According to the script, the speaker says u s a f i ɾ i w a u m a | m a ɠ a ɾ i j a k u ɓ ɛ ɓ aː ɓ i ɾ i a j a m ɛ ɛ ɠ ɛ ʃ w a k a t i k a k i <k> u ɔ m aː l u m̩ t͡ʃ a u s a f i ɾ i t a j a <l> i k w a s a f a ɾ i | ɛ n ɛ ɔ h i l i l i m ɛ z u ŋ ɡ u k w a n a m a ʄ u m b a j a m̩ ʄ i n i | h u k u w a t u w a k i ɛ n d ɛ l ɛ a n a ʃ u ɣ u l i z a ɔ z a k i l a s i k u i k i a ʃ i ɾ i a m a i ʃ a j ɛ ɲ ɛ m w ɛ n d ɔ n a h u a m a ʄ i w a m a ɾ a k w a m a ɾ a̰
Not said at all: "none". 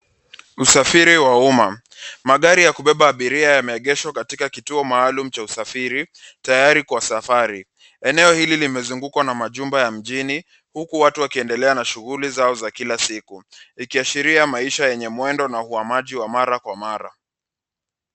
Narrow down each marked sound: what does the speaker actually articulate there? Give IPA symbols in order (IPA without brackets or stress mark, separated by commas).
t, ɾ